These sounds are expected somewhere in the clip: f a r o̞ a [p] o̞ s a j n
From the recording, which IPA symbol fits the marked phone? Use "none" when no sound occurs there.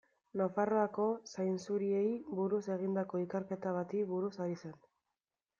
k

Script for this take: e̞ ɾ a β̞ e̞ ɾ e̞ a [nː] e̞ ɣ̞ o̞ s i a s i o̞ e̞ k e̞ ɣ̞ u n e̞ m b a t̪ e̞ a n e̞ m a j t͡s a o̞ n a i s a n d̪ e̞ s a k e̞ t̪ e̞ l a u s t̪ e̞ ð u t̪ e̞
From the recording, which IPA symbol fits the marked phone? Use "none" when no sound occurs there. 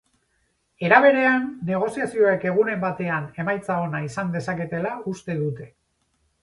nː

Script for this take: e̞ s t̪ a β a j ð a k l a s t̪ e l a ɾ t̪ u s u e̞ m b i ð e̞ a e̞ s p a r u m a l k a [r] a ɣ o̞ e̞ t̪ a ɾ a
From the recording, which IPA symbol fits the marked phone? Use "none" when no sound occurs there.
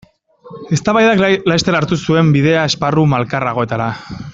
r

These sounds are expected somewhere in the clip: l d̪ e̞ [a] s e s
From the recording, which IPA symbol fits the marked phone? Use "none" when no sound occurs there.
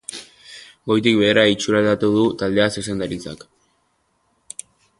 a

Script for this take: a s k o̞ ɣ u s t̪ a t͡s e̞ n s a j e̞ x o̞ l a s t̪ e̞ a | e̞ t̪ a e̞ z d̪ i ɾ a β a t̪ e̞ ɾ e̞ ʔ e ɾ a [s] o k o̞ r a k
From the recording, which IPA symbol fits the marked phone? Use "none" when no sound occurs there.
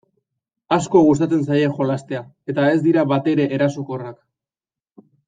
s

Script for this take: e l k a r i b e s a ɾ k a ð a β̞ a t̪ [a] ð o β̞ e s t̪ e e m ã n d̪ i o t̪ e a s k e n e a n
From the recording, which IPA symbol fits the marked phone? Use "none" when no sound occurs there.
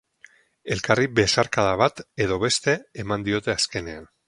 e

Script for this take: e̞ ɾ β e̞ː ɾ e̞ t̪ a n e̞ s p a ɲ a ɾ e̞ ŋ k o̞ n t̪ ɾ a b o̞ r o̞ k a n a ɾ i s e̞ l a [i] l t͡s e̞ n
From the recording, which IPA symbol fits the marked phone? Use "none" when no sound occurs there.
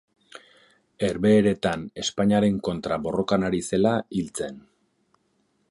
i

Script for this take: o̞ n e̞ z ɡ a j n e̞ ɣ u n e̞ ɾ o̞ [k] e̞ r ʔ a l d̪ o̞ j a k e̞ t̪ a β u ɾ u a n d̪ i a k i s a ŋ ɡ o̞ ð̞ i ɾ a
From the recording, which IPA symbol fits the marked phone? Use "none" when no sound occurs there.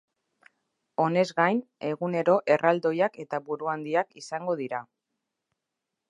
ʔ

